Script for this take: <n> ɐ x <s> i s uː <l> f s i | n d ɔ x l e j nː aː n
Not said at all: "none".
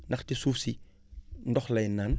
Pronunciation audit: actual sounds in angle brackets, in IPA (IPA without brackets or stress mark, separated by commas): n, t, none